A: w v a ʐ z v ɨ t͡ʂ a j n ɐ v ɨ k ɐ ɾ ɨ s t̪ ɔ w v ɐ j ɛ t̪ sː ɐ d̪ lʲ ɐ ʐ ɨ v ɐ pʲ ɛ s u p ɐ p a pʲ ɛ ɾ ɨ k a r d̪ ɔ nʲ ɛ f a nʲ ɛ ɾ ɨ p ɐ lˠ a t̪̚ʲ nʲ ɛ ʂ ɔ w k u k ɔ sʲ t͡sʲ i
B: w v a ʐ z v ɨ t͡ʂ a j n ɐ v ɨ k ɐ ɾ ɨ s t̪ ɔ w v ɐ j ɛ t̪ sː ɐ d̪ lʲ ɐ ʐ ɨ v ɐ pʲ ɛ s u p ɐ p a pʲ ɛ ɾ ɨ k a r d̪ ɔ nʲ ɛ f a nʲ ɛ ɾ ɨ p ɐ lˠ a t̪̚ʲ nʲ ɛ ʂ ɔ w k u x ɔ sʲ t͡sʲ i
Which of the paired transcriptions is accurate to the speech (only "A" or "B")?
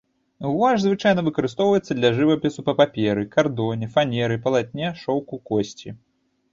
A